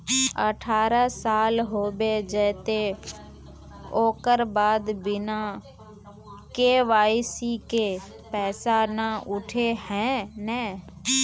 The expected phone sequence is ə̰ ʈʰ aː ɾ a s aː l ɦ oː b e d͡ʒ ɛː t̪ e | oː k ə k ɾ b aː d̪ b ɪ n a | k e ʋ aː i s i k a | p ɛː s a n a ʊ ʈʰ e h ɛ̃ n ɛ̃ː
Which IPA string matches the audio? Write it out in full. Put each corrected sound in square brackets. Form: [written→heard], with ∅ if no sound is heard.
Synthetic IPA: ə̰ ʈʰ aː ɾ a s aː l ɦ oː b e d͡ʒ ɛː t̪ e | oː k ə [k→∅] ɾ b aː d̪ b ɪ n a | k e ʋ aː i s i k [a→e] | p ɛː s a n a ʊ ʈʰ e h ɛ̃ n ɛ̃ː